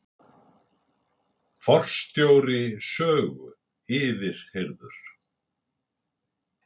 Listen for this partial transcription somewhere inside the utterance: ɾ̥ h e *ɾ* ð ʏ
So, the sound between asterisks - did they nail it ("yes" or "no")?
yes